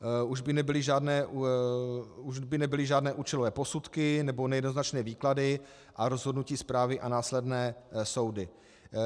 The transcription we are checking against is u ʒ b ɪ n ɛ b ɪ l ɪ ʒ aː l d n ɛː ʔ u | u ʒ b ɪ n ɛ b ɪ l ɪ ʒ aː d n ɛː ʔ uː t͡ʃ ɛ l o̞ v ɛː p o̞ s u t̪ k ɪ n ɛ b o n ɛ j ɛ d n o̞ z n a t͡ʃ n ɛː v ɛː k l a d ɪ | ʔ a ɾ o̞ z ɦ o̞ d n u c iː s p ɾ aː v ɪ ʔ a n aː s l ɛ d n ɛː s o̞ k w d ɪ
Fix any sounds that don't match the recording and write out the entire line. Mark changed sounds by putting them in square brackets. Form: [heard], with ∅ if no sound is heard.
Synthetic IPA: u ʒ b ɪ n ɛ b ɪ l ɪ ʒ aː [∅] d n ɛː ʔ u | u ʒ b ɪ n ɛ b ɪ l ɪ ʒ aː d n ɛː ʔ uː t͡ʃ ɛ l o̞ v ɛː p o̞ s u t̪ k ɪ n ɛ b o n ɛ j ɛ d n o̞ z n a t͡ʃ n ɛː v [iː] k l a d ɪ | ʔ a ɾ o̞ z ɦ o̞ d n u c iː s p ɾ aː v ɪ ʔ a n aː s l ɛ d n ɛː s o̞ [∅] w d ɪ